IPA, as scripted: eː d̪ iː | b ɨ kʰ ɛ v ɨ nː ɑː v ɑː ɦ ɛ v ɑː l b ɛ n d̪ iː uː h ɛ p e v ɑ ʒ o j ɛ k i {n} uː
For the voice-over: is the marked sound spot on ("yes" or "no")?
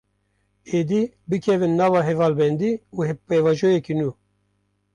yes